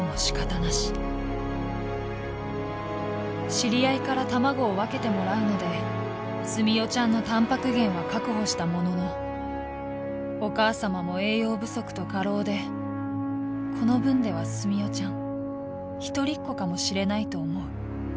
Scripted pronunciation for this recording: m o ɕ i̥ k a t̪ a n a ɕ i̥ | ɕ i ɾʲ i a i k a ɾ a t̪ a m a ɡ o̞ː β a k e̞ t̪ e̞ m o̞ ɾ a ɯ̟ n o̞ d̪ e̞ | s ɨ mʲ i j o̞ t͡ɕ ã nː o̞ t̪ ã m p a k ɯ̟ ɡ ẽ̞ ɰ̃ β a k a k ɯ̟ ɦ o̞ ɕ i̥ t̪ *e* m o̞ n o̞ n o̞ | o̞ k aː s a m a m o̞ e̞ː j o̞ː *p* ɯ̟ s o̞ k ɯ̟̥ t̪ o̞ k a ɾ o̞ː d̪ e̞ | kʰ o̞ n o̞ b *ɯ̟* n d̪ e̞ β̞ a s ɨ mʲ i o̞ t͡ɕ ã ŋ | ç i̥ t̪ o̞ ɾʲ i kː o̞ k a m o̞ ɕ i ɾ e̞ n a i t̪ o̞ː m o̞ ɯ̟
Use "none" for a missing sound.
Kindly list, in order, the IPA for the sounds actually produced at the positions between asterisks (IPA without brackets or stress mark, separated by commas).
a, b, ɯ̟̃